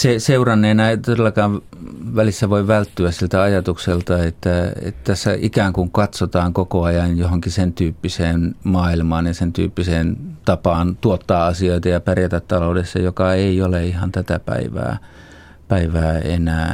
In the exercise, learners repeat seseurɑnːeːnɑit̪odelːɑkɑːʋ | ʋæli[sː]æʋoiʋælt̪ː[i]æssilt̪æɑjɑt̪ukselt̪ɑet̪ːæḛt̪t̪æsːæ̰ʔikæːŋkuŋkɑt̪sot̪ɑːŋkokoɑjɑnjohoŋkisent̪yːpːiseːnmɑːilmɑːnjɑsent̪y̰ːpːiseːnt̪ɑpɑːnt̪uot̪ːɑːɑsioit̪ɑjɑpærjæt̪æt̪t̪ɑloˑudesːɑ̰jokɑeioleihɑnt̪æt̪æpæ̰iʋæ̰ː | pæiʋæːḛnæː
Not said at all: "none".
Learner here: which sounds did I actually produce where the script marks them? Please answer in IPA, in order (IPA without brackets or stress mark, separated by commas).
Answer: sː, y